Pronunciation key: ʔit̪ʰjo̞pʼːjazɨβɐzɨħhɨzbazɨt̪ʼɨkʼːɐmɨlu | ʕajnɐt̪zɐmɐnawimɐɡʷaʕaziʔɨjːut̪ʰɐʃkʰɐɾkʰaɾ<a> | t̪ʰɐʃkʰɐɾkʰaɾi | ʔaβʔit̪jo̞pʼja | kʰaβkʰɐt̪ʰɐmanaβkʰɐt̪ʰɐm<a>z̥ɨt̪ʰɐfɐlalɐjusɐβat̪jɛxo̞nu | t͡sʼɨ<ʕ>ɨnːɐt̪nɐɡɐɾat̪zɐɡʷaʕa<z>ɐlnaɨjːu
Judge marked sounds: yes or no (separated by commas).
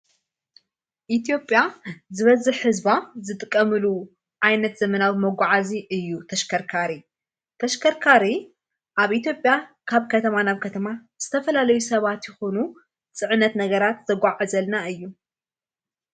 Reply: no, yes, yes, yes